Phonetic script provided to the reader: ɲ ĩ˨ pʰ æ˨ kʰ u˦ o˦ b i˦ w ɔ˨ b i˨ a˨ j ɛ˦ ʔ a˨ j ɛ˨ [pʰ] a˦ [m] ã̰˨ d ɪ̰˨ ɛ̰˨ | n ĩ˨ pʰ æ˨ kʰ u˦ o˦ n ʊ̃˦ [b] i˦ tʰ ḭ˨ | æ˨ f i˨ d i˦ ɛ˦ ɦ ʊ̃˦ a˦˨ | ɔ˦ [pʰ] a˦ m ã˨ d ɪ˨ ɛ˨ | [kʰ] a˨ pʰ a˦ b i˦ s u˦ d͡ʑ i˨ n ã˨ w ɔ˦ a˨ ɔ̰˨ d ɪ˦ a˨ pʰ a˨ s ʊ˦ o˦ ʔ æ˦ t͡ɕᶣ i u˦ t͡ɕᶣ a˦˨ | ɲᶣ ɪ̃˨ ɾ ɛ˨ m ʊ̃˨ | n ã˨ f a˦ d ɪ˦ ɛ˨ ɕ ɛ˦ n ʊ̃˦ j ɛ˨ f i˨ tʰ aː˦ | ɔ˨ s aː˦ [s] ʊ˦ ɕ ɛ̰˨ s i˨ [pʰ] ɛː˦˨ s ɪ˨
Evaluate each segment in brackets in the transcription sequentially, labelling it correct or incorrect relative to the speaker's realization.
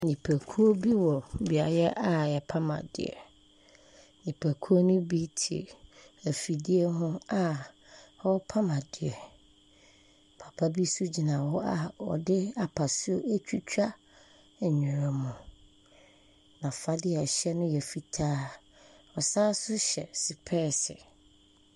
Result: correct, correct, correct, correct, incorrect: pʰ, correct, correct

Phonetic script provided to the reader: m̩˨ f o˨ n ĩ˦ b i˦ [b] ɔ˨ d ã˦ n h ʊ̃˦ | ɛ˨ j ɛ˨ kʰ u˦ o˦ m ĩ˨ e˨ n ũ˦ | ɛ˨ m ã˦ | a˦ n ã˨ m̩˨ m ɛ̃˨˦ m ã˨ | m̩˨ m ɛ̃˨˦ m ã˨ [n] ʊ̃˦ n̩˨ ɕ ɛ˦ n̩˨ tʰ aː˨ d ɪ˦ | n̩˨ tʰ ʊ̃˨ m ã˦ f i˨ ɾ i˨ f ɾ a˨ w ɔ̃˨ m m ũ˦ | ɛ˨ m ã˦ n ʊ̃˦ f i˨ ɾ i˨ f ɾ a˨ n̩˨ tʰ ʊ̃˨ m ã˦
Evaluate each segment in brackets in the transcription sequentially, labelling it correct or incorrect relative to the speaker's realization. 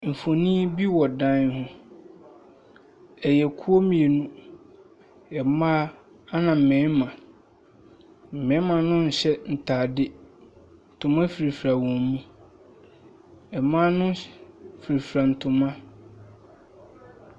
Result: incorrect: w, correct

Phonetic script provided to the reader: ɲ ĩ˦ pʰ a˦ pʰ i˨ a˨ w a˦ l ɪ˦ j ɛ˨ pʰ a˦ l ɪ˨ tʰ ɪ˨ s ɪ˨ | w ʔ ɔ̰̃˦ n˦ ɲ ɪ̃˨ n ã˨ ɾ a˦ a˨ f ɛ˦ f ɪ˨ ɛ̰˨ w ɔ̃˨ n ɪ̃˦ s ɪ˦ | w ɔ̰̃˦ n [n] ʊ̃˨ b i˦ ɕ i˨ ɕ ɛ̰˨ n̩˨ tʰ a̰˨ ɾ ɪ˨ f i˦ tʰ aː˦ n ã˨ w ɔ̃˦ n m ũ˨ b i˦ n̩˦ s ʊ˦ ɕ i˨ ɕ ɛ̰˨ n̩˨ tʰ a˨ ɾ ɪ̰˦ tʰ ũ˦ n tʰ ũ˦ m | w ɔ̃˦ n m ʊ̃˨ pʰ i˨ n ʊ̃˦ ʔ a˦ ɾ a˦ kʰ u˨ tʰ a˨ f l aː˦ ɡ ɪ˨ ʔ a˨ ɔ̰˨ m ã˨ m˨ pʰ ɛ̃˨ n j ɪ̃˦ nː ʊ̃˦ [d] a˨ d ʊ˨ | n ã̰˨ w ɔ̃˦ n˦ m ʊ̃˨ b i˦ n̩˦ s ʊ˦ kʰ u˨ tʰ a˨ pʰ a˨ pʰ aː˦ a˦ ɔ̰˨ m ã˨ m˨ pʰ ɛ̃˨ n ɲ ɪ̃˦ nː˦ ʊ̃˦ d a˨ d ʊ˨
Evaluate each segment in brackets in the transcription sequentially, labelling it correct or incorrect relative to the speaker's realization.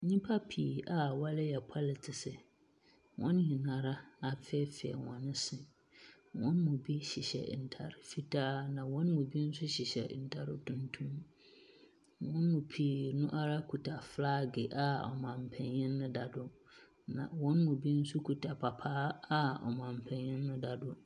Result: incorrect: m, correct

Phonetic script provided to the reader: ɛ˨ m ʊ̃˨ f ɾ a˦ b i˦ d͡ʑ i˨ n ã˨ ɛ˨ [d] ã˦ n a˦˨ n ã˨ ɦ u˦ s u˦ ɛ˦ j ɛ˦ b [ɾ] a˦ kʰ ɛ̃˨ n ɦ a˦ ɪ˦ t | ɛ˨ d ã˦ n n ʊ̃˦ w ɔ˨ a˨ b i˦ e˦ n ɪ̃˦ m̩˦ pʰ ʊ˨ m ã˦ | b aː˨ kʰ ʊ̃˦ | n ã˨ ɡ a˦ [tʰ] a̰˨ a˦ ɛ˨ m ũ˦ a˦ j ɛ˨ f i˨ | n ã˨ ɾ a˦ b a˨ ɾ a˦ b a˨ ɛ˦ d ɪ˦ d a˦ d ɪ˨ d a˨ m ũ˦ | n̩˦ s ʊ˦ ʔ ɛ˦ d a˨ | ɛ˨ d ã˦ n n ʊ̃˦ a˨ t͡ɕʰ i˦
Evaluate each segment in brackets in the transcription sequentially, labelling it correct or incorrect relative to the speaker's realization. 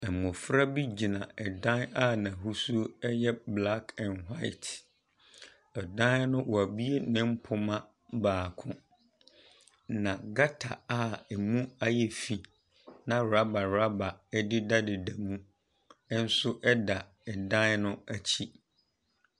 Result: correct, incorrect: l, correct

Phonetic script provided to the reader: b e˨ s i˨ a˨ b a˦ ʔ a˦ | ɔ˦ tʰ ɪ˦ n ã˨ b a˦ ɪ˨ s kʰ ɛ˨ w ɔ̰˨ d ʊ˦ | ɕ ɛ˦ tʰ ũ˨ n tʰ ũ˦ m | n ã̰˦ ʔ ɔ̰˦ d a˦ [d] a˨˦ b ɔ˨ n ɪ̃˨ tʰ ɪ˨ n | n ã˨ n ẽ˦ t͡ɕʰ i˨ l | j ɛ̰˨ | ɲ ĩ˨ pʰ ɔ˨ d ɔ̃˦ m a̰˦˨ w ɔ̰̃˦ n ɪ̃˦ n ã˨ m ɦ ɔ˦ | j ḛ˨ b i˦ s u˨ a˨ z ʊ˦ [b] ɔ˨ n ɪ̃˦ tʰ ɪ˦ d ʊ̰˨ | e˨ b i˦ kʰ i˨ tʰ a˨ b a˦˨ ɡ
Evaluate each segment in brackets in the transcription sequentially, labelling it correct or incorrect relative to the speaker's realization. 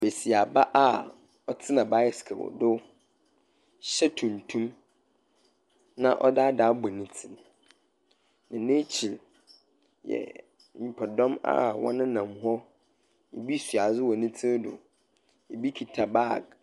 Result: correct, incorrect: w

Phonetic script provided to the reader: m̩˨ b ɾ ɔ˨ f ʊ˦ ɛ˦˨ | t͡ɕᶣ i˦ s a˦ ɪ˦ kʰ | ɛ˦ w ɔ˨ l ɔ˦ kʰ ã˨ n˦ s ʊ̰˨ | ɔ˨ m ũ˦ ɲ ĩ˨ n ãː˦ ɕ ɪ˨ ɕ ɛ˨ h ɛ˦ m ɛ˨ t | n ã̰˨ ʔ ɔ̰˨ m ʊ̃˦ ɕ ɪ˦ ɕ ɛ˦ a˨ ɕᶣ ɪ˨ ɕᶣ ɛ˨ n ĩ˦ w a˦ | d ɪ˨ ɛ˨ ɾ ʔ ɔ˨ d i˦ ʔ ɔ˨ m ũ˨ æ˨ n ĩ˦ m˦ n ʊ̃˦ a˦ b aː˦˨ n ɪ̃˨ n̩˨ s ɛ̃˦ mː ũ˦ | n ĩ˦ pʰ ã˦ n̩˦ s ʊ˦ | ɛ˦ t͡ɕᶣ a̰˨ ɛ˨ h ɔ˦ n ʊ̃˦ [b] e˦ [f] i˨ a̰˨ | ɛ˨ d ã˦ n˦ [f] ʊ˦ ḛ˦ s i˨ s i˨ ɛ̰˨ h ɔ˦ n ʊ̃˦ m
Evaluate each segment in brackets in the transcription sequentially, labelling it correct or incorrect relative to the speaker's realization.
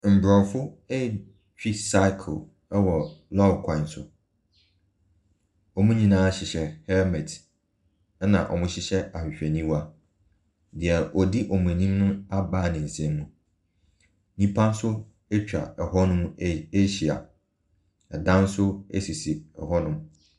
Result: incorrect: m, incorrect: ɕ, incorrect: s

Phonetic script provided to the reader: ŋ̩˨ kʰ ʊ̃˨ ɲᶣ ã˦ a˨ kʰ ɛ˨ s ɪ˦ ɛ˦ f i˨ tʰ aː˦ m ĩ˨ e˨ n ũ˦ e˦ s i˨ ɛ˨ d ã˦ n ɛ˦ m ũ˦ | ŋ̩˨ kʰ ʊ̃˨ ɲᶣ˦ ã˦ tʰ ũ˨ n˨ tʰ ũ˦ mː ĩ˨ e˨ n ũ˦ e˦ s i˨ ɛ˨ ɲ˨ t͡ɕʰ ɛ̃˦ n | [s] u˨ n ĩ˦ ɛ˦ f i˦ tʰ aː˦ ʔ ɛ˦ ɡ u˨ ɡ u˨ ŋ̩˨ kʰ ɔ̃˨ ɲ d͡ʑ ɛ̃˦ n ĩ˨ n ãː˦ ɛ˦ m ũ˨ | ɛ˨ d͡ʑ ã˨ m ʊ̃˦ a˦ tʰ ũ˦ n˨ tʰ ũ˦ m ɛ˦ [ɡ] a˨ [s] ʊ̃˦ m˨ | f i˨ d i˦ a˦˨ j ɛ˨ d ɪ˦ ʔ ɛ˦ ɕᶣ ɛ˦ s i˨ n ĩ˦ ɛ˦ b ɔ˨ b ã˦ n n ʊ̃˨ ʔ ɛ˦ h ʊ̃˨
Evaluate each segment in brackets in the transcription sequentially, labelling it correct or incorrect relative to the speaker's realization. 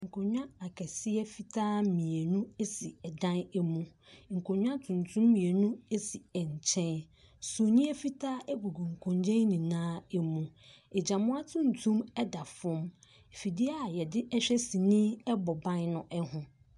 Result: correct, incorrect: d, incorrect: f

